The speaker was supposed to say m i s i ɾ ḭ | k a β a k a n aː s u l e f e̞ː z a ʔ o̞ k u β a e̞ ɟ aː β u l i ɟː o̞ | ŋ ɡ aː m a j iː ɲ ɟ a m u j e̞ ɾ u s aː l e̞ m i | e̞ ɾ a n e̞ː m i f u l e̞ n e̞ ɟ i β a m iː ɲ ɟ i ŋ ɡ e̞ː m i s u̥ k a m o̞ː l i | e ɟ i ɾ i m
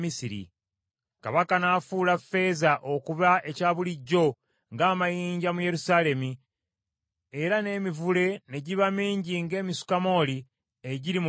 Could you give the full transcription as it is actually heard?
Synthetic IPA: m i s i ɾ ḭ | k a β a k a n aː f u l a f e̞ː z a ʔ o̞ k u β a e̞ c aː β u l i ɟː o̞ | ŋ ɡ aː m a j iː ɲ ɟ a m u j e̞ ɾ u s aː l e̞ m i | e̞ ɾ a n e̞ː m i v u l e̞ n e̞ ɟ i β a m iː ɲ ɟ i ŋ ɡ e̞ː m i s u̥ k a m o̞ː l i | e ɟ i ɾ i m